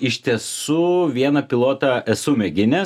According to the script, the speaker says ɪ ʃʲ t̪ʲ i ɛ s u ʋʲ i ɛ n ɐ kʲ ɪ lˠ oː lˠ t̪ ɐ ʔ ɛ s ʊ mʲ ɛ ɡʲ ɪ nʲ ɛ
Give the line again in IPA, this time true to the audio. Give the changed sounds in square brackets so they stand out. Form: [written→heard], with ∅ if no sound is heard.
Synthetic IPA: ɪ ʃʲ t̪ʲ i ɛ s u ʋʲ i ɛ n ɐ [kʲ→pʲ] ɪ lˠ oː [lˠ→∅] t̪ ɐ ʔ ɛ s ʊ mʲ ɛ ɡʲ ɪ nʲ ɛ